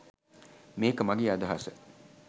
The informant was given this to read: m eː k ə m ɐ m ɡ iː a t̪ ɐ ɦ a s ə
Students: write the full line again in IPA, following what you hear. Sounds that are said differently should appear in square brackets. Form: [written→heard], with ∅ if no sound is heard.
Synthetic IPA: m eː k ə m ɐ [m→∅] ɡ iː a [t̪→d̪] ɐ ɦ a s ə